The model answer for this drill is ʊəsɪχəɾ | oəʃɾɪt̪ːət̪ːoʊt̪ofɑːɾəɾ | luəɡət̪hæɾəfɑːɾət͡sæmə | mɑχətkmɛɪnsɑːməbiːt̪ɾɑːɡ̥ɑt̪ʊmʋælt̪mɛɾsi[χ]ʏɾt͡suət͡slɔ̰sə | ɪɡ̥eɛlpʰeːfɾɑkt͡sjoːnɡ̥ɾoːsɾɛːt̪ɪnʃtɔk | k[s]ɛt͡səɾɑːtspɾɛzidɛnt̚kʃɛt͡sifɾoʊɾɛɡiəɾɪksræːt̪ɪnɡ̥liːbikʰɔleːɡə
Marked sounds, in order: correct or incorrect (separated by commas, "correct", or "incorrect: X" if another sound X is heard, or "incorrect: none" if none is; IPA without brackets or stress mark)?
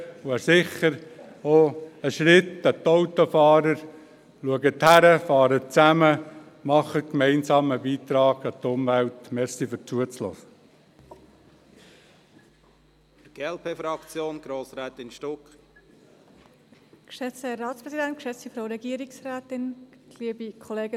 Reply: incorrect: f, incorrect: ʃ